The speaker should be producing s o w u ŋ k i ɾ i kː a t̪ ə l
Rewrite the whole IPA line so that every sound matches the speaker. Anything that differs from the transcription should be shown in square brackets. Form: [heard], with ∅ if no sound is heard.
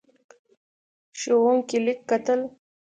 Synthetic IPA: [ʃ] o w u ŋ k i [l] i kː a t̪ ə l